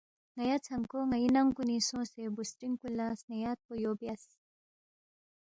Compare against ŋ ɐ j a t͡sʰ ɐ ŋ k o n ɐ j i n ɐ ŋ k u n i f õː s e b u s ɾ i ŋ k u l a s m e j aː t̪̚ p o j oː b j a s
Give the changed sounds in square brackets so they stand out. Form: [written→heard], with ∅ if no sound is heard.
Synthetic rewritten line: ŋ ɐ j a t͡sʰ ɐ ŋ k o [n→ŋ] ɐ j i n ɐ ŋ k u n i [f→s] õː s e b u s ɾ i ŋ k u l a s [m→n] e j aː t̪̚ p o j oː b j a s